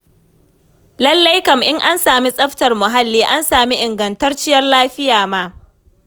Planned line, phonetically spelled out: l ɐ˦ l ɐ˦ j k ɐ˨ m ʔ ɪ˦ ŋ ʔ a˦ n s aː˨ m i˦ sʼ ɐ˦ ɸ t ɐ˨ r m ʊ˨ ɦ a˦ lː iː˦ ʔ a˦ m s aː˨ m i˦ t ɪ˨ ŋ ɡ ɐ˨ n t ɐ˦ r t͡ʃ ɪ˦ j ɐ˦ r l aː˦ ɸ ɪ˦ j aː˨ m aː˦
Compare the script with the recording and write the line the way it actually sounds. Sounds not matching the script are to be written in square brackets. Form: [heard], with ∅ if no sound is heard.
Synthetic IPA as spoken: l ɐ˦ [lː] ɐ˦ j k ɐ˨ m ʔ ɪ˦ ŋ ʔ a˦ n s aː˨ m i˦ sʼ ɐ˦ ɸ t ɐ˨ r m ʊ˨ ɦ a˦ lː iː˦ ʔ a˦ [n] s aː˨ m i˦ [ʔ] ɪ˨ ŋ ɡ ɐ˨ n t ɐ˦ r t͡ʃ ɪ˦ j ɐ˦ r l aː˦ ɸ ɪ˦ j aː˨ m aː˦

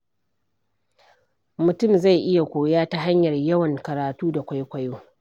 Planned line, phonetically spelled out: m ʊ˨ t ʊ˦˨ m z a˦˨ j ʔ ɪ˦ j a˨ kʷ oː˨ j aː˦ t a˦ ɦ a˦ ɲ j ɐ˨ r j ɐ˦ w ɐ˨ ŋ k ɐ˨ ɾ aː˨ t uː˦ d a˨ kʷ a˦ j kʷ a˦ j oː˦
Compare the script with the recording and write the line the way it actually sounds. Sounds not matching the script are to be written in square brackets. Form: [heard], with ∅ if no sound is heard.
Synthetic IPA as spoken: m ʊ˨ t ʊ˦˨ m z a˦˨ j ʔ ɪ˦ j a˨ kʷ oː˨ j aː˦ t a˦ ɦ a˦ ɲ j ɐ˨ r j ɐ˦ w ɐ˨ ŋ k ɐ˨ ɾ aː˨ t uː˦ d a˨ kʷ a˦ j kʷ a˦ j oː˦

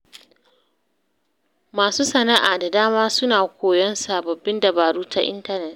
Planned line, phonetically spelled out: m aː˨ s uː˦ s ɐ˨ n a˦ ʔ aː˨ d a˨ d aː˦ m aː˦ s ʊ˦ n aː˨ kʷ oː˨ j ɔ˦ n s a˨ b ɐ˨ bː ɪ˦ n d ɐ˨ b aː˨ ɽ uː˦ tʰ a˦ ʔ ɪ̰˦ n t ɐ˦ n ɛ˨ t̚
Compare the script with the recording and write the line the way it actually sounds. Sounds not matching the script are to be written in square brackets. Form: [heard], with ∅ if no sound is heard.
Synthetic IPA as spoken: m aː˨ s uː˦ s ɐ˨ n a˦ ʔ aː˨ d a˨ d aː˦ m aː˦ s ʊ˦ n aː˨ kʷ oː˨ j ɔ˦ n s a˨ b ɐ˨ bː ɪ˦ n d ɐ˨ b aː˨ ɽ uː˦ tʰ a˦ ʔ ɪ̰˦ n t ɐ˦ n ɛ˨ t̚

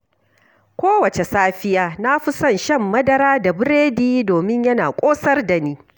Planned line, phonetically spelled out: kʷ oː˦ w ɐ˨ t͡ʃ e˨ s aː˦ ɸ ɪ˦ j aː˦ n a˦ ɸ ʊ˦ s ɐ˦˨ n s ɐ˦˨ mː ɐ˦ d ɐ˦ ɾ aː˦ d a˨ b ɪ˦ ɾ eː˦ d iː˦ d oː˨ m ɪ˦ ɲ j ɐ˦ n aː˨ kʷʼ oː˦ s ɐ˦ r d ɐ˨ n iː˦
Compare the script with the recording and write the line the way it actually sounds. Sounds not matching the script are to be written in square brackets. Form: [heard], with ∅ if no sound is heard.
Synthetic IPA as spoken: kʷ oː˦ w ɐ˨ t͡ʃ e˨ s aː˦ ɸ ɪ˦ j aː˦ n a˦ ɸ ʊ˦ s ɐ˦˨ n [ʃ] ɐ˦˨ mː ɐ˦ d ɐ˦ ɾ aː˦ d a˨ b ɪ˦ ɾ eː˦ d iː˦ d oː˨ m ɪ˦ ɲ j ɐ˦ n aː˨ kʷʼ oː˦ s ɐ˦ r d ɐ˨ n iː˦

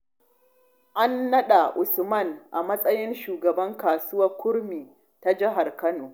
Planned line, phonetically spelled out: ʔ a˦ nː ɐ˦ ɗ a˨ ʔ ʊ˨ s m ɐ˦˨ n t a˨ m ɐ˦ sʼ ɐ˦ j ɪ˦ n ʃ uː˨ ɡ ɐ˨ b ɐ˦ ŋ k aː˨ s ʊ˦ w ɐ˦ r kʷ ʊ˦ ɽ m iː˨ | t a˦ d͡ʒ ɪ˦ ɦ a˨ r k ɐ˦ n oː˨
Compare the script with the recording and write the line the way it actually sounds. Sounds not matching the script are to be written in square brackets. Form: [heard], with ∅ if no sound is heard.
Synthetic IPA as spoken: ʔ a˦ nː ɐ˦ ɗ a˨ ʔ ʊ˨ s m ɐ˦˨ n [ʔ] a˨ m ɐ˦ sʼ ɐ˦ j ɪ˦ n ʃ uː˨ ɡ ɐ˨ b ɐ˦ ŋ k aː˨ s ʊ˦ w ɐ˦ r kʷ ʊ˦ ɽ m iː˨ | t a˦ d͡ʒ ɪ˦ ɦ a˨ r k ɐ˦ n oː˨

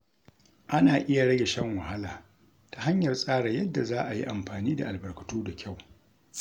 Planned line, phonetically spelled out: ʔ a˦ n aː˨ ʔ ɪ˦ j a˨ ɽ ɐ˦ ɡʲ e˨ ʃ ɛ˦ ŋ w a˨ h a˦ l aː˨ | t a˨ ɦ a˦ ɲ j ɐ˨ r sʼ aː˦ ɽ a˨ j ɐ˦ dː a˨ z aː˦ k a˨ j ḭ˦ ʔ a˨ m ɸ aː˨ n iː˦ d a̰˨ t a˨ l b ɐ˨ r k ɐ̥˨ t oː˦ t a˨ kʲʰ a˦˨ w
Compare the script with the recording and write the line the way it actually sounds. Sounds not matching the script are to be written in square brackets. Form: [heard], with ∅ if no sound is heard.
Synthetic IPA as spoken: ʔ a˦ n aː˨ ʔ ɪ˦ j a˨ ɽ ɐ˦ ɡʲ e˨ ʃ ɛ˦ ŋ w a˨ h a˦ l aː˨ | t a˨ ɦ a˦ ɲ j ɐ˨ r sʼ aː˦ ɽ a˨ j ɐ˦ dː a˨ z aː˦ [ʔ] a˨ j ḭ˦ ʔ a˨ m ɸ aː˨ n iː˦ d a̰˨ [ʔ] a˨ l b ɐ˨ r k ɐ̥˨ t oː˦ [d] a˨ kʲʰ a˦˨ w

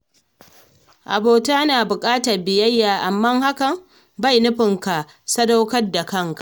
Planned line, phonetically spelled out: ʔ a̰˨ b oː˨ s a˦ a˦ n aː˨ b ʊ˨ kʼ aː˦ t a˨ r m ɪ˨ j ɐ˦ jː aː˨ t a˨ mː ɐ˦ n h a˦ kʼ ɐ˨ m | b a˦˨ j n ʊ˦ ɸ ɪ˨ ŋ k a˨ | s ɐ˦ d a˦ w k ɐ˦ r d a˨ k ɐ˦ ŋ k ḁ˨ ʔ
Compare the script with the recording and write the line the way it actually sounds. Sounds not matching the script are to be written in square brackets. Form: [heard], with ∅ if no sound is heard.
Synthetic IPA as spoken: ʔ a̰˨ b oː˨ [t] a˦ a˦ n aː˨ b ʊ˨ kʼ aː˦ t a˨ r [b] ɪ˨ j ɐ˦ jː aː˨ [ʔ] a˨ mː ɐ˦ [ŋ] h a˦ [k] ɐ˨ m | b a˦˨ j n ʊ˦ ɸ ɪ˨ ŋ k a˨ | s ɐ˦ d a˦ w k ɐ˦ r d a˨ k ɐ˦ ŋ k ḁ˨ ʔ

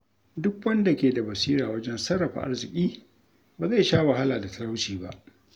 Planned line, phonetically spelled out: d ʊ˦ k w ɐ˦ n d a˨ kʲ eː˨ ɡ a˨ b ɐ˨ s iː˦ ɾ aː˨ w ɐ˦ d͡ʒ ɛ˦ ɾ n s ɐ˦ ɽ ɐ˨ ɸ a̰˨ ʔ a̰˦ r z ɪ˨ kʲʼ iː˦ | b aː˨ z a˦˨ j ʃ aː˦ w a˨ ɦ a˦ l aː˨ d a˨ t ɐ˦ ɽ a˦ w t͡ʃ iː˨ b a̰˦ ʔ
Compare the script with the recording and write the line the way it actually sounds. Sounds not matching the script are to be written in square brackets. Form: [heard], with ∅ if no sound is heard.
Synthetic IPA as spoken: d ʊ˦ k w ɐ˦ n d a˨ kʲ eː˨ [d] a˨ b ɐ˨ s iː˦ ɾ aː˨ w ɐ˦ d͡ʒ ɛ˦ [∅] n s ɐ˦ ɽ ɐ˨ ɸ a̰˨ ʔ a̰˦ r z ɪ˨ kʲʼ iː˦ | b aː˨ z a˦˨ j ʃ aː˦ w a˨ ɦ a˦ l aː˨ d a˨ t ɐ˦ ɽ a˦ w t͡ʃ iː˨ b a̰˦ ʔ

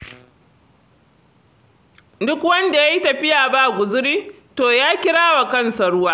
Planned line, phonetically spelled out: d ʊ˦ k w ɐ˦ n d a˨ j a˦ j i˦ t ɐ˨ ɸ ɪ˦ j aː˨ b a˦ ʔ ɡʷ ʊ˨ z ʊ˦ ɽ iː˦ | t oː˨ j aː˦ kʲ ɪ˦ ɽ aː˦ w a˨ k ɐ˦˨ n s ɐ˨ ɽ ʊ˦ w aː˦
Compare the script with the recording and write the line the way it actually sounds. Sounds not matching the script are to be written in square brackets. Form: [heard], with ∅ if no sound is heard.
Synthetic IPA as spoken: d ʊ˦ k w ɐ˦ n d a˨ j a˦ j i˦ t ɐ˨ ɸ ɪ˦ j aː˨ b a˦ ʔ ɡʷ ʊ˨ z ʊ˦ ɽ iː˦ | t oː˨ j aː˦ kʲ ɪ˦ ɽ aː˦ w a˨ k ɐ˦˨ n s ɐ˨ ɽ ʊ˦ w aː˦

